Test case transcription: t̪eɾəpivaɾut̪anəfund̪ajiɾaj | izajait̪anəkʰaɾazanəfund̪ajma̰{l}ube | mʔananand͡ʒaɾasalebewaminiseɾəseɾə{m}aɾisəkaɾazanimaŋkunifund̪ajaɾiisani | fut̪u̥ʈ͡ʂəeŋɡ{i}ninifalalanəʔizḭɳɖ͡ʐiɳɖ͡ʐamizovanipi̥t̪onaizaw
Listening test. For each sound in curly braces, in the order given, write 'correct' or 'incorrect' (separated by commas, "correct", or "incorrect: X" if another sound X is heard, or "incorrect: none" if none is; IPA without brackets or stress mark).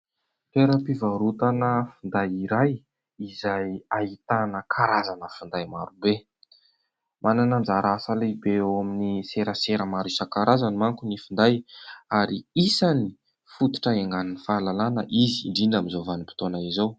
incorrect: ɾ, correct, incorrect: a